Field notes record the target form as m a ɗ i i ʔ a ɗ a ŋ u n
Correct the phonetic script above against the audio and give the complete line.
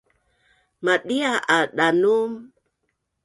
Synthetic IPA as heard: m a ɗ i a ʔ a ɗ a n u m